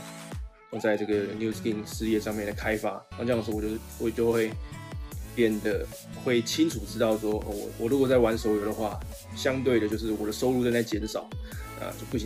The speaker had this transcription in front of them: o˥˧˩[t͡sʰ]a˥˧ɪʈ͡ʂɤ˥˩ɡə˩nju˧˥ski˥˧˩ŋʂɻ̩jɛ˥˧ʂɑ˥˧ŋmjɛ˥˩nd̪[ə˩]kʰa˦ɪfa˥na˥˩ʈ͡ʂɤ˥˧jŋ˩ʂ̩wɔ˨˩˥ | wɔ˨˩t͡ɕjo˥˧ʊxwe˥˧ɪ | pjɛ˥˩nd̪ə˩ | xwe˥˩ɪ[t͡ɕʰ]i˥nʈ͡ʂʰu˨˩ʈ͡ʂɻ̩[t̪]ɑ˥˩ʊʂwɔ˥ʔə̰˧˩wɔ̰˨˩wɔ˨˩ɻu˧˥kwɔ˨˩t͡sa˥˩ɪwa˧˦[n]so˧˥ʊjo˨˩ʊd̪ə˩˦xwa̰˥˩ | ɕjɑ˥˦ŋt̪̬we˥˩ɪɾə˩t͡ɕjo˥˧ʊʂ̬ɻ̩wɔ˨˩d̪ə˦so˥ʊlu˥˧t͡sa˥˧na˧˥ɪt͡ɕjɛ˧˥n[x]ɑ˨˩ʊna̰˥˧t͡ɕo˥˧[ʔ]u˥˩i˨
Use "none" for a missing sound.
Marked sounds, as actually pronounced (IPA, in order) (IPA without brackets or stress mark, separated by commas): t͡s, ə˩, t͡ɕʰ, t̪, n, ʂ, p